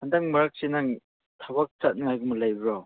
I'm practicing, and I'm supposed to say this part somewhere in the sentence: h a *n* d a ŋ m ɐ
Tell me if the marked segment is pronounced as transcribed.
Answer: yes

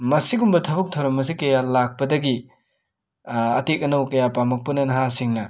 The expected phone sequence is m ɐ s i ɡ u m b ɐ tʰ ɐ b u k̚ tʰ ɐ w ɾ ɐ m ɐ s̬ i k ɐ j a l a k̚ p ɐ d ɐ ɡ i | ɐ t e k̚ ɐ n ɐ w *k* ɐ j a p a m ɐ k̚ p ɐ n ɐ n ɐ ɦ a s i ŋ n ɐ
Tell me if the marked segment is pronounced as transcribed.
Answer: yes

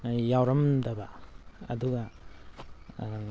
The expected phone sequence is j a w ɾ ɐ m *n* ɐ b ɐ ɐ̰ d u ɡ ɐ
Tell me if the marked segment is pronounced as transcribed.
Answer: no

